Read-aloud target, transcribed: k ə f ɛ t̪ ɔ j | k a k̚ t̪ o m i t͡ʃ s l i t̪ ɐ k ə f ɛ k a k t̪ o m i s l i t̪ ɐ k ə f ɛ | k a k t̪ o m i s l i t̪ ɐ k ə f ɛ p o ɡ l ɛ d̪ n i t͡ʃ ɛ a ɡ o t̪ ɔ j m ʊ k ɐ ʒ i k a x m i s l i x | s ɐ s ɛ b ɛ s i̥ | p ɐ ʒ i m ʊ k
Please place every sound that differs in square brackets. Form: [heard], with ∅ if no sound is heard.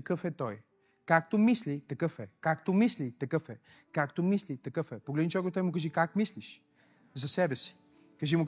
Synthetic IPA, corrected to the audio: k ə f ɛ t̪ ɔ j | k a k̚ t̪ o m i [∅] s l i t̪ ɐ k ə f ɛ k a k t̪ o m i s l i t̪ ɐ k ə f ɛ | k a k t̪ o m i s l i t̪ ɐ k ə f ɛ p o ɡ l ɛ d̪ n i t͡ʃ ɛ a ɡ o t̪ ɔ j m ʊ k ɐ ʒ i k a [k] m i s l i [ʃ] | [z] ɐ s ɛ b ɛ s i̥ | [k] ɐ ʒ i m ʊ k